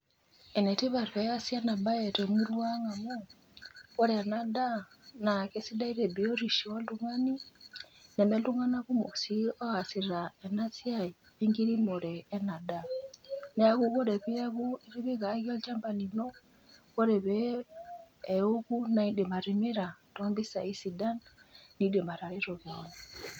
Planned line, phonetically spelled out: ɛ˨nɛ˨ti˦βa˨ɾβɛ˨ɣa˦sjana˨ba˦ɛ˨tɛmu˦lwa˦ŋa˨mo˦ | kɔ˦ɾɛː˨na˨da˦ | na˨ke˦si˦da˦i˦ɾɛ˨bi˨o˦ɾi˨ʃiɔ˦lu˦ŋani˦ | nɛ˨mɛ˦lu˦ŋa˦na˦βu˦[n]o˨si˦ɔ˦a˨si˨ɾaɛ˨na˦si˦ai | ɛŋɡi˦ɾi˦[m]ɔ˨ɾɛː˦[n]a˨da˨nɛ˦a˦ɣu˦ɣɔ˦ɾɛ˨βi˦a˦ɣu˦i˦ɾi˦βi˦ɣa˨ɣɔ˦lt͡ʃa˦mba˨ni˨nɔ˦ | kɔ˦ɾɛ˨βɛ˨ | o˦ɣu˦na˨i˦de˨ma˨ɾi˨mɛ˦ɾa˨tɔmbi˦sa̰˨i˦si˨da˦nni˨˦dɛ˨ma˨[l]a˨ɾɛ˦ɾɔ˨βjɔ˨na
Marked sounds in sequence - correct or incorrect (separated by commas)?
incorrect, correct, correct, incorrect